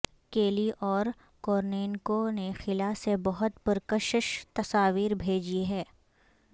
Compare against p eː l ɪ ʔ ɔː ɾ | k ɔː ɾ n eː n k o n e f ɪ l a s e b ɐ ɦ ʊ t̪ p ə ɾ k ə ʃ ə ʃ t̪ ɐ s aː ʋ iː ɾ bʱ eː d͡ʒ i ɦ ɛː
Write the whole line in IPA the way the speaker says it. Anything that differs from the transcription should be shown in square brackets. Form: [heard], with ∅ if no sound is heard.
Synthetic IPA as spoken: [k] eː l [i] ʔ ɔː ɾ | k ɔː ɾ n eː n k o n e [x] ɪ l a s e b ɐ ɦ ʊ t̪ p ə ɾ k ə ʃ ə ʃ t̪ ɐ s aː ʋ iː ɾ bʱ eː d͡ʒ i ɦ ɛː